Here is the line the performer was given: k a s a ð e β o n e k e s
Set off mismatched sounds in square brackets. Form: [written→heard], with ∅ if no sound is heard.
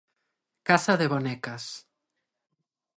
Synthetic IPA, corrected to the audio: k a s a ð e β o n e k [e→a] s